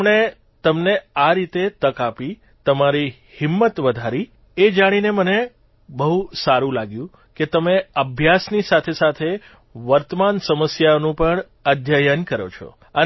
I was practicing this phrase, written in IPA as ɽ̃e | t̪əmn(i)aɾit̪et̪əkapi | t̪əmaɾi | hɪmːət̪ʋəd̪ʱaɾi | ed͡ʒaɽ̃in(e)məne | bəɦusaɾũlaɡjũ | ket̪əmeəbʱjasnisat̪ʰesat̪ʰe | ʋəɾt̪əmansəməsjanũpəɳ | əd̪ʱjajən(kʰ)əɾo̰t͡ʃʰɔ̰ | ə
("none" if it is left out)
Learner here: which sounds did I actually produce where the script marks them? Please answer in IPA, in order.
e, e, k

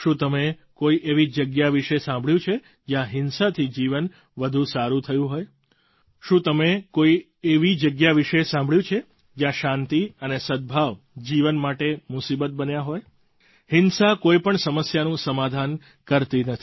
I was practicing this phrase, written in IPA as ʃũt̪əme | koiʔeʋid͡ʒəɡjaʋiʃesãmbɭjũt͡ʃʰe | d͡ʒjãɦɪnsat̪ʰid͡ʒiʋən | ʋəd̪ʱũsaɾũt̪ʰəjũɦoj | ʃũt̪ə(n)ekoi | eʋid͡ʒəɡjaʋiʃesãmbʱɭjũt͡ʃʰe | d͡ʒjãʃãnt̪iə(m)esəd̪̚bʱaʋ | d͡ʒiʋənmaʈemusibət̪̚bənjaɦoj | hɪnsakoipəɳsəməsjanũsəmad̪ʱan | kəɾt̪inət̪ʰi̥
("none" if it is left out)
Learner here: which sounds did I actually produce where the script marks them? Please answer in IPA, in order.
m, n

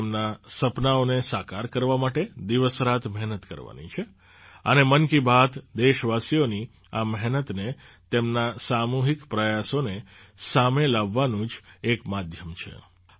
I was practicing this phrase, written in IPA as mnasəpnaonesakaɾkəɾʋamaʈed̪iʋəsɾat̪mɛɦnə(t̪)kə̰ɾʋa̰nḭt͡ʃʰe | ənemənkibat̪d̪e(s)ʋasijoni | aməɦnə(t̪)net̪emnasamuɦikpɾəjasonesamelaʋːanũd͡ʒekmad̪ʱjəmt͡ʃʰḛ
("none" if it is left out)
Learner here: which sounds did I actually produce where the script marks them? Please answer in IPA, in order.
t̪, ʃ, t̪

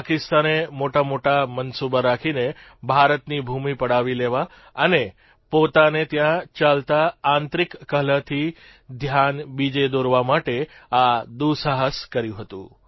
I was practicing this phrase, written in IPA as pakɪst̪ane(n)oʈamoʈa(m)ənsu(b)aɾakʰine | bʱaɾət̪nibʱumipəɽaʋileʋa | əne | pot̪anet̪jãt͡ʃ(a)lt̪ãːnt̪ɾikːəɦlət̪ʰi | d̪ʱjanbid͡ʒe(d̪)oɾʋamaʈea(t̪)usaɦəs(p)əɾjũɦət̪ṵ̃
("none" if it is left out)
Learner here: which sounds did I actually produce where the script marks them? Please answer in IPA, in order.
m, m, b, a, d̪, d̪, k

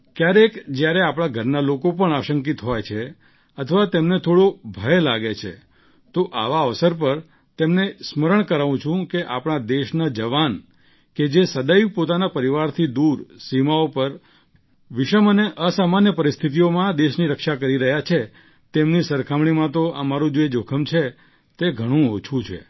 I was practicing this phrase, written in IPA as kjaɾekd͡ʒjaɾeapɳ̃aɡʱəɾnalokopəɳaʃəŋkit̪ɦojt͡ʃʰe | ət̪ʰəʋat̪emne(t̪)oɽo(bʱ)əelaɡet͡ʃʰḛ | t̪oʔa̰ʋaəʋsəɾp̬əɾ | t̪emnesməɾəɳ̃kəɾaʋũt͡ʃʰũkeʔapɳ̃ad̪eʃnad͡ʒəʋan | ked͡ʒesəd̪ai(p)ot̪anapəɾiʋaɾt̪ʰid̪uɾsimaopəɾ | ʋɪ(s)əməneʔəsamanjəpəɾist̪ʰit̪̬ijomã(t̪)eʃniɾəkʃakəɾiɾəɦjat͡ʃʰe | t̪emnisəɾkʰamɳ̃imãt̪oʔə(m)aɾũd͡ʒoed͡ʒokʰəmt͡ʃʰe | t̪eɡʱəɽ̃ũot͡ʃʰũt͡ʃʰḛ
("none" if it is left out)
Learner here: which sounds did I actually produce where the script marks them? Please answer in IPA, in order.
t̪ʰ, bʱ, p, ʃ, d̪, m

